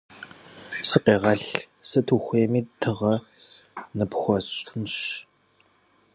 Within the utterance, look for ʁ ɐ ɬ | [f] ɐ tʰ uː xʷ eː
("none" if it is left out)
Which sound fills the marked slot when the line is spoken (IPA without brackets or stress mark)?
s